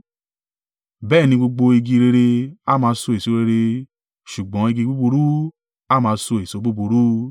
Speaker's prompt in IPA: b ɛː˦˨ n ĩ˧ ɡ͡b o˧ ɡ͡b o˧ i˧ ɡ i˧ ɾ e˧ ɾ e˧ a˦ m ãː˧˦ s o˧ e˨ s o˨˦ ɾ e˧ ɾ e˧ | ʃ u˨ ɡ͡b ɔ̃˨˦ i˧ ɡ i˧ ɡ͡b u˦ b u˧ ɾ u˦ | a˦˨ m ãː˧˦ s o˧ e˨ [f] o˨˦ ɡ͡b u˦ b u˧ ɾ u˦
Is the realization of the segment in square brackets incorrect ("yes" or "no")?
yes